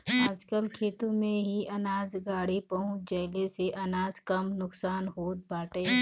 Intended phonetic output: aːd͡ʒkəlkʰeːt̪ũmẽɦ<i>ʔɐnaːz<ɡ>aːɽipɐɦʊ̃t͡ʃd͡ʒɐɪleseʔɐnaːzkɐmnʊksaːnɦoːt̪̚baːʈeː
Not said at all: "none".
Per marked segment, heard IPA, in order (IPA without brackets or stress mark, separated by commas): i, ɡ